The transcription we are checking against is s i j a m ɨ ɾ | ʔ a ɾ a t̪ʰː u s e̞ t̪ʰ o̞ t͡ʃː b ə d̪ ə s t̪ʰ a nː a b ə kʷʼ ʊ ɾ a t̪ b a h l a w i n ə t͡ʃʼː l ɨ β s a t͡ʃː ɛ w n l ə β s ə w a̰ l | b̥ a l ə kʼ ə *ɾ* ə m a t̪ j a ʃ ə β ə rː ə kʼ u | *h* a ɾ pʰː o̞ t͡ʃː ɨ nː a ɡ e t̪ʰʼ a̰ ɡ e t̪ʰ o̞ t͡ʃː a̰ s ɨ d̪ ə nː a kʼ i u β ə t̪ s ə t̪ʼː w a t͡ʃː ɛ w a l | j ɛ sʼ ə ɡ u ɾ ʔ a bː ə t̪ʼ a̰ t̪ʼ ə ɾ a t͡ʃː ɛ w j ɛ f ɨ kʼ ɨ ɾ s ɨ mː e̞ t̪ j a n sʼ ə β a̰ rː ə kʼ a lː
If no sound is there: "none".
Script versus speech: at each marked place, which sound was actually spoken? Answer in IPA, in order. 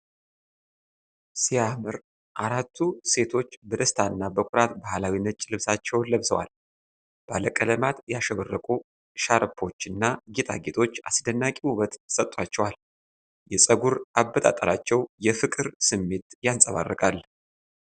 l, ʃ

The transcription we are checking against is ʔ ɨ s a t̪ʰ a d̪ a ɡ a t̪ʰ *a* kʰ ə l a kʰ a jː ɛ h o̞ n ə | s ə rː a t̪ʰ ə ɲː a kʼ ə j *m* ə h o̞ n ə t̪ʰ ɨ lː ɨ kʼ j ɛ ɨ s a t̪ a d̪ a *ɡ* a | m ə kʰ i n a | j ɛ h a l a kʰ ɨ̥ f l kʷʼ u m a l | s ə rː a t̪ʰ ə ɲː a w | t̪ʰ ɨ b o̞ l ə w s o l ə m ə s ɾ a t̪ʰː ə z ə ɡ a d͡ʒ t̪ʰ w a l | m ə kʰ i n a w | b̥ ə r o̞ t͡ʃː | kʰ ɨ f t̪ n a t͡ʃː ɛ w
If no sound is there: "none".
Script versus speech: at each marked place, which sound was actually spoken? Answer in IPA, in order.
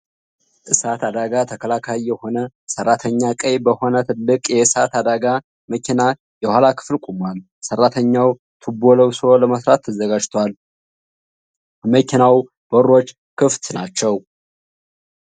ə, b, ɡ

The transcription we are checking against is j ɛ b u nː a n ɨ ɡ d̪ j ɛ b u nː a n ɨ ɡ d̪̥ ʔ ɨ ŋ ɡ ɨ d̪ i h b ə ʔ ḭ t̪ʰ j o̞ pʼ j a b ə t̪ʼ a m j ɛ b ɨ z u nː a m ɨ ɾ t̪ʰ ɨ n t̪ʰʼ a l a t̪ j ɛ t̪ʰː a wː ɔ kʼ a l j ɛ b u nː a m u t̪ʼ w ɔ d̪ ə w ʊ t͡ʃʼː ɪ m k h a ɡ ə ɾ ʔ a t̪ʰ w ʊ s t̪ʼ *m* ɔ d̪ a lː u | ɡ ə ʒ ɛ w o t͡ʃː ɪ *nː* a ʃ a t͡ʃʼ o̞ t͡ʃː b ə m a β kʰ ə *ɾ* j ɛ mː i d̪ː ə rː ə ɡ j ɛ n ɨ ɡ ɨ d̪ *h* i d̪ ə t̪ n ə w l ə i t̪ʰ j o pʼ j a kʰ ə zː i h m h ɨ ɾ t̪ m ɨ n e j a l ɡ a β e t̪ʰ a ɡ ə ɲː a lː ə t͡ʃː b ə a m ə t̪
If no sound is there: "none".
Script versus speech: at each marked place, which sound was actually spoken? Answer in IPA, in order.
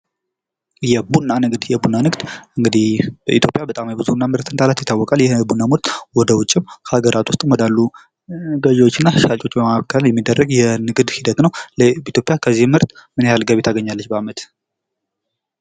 m, nː, l, h

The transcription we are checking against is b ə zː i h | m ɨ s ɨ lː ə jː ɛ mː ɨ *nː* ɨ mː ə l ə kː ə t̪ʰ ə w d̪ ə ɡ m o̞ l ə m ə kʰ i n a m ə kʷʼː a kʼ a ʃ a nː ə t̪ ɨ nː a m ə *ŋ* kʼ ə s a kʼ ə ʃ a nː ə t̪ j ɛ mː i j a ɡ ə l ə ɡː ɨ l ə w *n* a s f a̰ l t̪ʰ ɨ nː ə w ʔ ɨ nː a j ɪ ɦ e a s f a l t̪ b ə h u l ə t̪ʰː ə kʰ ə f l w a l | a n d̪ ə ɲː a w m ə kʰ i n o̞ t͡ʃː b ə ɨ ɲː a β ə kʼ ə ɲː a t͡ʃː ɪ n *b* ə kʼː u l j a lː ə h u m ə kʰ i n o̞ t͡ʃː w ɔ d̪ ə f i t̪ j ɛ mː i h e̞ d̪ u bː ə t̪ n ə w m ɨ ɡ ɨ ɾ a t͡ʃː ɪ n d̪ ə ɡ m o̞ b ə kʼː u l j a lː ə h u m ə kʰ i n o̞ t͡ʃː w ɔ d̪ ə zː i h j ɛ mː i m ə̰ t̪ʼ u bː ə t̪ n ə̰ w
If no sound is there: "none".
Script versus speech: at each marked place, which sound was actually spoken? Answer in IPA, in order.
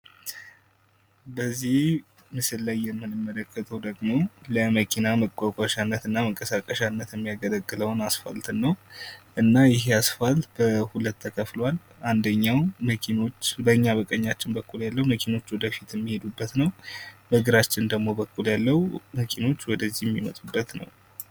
n, ŋ, n, b

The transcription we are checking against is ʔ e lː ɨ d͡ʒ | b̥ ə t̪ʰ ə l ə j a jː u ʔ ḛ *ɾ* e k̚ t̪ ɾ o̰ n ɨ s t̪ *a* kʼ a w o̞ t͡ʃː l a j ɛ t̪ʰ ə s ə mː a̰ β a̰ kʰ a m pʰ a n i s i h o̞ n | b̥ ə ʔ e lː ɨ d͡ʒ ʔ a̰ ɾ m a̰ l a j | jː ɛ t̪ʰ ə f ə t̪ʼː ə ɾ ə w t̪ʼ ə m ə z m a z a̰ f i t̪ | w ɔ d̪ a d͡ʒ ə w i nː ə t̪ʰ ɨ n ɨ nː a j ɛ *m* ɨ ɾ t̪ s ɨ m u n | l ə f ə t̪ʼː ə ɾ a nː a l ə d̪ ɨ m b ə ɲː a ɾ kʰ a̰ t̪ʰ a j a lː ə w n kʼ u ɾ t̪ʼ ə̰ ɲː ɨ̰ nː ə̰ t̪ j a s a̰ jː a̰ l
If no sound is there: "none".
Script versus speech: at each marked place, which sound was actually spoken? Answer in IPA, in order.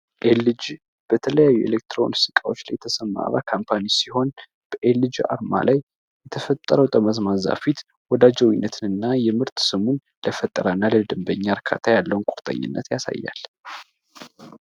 l, i, m

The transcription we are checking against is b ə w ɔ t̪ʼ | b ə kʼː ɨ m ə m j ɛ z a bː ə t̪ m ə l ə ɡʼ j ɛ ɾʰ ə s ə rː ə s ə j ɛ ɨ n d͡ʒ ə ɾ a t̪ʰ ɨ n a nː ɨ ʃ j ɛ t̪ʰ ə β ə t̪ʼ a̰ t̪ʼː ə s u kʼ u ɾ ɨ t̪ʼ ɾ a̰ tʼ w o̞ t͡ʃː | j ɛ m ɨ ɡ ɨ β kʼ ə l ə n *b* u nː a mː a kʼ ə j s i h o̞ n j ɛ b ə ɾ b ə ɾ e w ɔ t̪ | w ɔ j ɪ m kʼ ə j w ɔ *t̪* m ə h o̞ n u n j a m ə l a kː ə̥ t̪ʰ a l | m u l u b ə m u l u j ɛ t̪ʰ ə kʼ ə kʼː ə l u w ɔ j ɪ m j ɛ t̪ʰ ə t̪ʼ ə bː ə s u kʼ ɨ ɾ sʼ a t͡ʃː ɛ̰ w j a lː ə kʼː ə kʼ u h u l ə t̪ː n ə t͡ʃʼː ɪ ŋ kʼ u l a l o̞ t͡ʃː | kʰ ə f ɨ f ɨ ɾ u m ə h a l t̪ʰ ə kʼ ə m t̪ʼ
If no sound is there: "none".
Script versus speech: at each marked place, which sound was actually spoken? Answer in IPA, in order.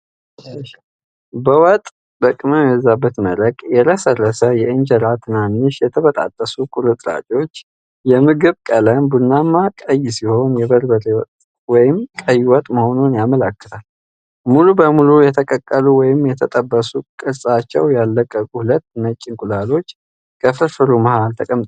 b, t̪ʼ

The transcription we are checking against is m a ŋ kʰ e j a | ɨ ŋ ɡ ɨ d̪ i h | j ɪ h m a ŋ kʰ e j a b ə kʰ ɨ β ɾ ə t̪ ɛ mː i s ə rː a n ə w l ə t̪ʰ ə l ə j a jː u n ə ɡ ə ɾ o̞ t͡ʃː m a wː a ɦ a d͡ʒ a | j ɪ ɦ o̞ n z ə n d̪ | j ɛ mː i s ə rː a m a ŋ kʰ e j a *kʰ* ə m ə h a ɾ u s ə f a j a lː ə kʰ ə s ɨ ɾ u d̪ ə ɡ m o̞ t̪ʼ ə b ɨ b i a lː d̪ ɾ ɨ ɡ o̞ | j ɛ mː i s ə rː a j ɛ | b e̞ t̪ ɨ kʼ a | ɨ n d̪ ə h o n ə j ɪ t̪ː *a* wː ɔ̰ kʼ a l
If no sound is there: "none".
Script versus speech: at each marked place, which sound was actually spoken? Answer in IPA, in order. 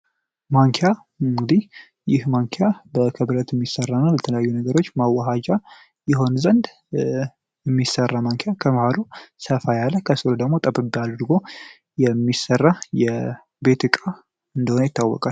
kʰ, a

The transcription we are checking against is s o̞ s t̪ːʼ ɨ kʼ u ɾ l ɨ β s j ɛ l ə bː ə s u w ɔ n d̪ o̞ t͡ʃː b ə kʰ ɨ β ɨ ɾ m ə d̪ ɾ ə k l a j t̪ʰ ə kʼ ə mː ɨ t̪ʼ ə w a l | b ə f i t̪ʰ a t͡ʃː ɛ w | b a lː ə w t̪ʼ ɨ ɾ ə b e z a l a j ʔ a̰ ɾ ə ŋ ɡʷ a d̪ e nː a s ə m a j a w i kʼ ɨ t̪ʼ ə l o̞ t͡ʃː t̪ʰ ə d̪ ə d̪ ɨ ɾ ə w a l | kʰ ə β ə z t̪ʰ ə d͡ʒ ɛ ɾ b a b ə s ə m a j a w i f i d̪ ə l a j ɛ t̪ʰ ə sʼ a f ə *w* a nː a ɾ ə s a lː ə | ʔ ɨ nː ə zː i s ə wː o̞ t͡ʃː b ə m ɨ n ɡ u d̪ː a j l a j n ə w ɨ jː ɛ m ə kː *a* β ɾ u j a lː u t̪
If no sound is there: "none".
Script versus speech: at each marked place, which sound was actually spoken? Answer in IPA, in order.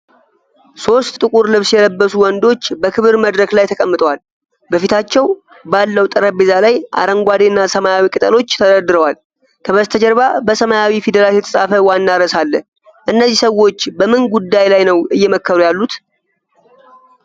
w, ə

